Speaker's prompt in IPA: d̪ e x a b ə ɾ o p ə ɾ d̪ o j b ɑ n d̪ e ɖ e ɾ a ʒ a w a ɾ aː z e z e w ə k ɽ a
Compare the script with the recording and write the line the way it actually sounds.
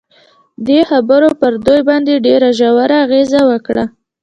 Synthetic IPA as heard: d̪ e x a b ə ɾ o p ə ɾ d̪ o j b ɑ n d̪ e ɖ e ɾ a ʒ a w a ɾ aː ɣ e z a w ə k ɽ a